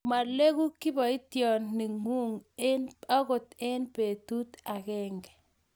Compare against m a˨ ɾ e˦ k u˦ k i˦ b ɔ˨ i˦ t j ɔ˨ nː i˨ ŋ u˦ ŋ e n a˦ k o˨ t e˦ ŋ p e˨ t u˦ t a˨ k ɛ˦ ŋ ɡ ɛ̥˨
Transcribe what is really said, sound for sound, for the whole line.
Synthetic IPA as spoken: m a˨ l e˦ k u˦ k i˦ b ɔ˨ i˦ t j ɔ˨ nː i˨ ŋ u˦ ŋ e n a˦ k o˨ t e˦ n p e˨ t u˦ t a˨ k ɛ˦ ŋ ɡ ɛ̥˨

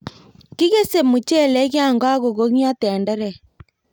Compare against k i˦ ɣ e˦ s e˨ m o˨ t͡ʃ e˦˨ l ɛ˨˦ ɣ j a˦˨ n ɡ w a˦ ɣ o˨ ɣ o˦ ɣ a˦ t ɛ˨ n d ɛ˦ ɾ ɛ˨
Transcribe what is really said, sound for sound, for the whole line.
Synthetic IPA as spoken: k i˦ ɣ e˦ s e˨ m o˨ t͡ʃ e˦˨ l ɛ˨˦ ɣ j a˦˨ ŋ ɡ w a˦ ɣ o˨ ɣ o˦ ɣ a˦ t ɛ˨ n d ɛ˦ ɾ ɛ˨

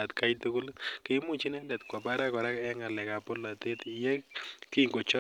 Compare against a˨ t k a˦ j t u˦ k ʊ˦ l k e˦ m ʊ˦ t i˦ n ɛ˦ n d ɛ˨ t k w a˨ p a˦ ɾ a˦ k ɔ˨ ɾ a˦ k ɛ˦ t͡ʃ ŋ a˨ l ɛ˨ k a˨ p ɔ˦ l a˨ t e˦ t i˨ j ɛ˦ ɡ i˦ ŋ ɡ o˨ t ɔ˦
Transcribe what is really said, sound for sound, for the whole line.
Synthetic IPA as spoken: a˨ t k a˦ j t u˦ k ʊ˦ l k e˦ m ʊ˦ t͡ʃ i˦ n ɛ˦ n d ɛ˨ t k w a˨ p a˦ ɾ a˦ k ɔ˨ ɾ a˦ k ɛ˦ ŋ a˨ l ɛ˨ k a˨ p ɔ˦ l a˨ t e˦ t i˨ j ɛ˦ k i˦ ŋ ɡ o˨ t͡ʃ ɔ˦

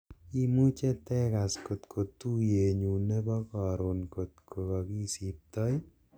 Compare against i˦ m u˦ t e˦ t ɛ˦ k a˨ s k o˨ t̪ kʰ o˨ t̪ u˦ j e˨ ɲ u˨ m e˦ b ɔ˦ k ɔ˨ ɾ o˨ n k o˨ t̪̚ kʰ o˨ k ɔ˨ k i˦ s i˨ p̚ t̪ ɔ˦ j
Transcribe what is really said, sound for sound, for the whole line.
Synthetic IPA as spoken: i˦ m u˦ t͡ʃ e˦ t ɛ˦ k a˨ s k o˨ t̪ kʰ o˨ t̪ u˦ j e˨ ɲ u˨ n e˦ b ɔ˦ k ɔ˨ ɾ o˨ n k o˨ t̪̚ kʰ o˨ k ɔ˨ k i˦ s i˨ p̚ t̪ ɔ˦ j

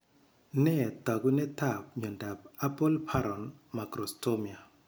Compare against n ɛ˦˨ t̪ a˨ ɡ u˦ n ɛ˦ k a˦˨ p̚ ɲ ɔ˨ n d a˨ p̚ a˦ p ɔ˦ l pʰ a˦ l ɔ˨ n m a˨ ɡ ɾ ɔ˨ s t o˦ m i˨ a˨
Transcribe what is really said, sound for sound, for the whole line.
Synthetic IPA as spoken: n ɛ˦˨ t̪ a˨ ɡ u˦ n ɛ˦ t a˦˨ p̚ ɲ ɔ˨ n d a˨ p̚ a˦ p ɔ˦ l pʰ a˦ ɾ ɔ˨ n m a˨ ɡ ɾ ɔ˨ s t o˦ m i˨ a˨

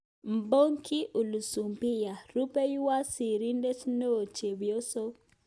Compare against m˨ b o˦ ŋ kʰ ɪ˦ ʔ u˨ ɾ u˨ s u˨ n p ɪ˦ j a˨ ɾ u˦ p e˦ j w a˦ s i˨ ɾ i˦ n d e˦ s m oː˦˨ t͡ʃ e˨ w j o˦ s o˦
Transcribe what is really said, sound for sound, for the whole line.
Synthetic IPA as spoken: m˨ b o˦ ŋ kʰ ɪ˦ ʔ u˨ l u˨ s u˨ m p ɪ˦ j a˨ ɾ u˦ p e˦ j w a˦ s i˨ ɾ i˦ n d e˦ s n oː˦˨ t͡ʃ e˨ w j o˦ s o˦

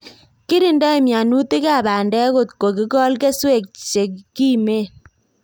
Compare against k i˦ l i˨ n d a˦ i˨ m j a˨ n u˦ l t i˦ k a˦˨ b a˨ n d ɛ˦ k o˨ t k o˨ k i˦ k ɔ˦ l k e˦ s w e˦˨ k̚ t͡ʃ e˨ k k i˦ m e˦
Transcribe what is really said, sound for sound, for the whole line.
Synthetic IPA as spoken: k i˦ ɾ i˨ n d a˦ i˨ m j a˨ n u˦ t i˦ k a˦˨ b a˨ n d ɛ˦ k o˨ t k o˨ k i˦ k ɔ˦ l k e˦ s w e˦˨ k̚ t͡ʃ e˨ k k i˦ m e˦

